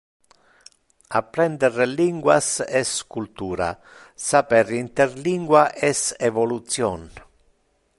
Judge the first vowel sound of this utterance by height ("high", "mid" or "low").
low